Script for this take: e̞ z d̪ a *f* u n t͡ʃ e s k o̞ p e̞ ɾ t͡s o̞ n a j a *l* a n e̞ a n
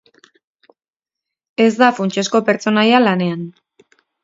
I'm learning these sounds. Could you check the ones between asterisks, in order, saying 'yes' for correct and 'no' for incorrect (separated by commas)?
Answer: yes, yes